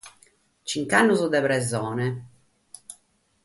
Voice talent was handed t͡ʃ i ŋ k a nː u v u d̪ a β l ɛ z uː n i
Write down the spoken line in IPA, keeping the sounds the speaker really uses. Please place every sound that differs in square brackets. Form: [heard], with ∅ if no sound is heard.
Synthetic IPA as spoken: t͡ʃ i ŋ k a nː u [z] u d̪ [ɛ] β [ɾ] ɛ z [ɔː] n [ɛ]